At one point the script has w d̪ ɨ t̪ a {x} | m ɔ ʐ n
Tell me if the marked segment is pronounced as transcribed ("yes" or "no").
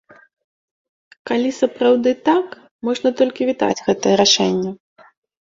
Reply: no